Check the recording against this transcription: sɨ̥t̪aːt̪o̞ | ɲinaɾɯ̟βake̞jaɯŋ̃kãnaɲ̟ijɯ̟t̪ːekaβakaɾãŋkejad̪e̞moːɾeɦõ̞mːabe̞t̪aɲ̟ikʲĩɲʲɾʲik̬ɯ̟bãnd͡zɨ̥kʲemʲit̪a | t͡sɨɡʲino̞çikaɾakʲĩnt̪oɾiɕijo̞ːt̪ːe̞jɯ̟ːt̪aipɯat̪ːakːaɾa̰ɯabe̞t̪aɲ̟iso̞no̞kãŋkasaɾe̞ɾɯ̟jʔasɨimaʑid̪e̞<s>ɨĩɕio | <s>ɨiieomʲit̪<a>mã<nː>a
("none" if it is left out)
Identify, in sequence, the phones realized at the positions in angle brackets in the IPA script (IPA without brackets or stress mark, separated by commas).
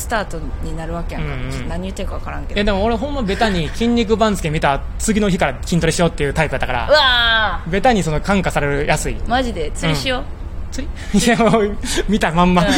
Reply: t͡s, t͡s, a, mː